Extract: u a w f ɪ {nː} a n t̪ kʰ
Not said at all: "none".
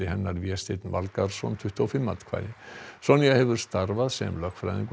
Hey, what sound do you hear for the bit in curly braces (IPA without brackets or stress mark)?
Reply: mː